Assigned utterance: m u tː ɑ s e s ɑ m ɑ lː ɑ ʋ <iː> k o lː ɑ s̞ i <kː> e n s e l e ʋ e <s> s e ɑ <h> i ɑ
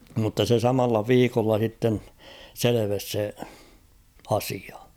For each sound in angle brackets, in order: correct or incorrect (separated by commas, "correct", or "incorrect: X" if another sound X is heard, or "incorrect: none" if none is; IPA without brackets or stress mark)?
correct, incorrect: tː, correct, incorrect: s